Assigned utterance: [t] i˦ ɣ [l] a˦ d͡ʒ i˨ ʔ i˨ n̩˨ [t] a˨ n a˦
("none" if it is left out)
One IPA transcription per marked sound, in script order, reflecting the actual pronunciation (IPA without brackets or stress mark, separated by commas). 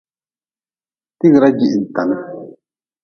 t, ɾ, t